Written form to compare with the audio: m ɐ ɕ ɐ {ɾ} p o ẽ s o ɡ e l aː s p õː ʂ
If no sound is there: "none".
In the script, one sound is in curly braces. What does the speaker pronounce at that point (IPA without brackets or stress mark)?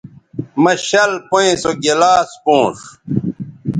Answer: l